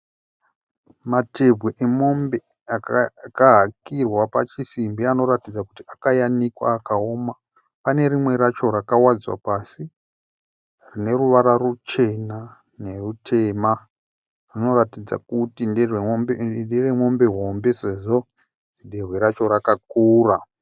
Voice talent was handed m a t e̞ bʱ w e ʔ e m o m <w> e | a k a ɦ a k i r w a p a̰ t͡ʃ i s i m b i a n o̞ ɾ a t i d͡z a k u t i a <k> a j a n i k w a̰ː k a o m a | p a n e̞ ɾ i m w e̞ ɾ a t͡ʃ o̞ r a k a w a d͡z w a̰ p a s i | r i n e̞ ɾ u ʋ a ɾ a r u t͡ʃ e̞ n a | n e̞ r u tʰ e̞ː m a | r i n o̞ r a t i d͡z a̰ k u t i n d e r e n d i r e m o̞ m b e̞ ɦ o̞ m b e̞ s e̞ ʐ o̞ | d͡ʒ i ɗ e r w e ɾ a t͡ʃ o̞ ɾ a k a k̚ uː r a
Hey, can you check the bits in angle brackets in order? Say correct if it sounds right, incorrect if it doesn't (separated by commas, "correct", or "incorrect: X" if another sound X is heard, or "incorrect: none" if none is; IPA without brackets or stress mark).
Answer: incorrect: b, correct